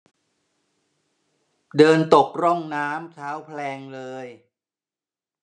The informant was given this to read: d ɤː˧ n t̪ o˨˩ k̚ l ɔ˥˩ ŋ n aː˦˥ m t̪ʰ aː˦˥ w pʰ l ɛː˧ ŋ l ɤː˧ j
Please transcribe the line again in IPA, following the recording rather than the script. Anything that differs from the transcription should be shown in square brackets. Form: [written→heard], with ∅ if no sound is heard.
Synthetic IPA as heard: d ɤː˧ n t̪ o˨˩ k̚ [l→ɾ] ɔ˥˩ ŋ n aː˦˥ m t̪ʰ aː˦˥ w pʰ l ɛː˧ ŋ l ɤː˧ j